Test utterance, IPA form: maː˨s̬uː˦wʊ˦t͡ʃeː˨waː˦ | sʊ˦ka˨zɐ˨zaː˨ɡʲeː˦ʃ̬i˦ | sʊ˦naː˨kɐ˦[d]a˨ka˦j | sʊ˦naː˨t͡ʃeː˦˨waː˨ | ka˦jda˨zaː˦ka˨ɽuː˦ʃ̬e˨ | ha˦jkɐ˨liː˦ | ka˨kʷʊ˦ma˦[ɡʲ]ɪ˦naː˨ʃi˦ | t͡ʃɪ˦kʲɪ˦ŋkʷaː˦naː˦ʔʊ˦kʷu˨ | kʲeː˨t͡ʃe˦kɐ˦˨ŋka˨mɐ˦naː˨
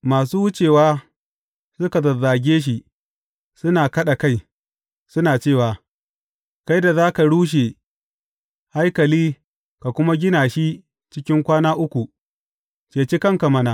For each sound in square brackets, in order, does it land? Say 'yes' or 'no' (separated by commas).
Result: no, yes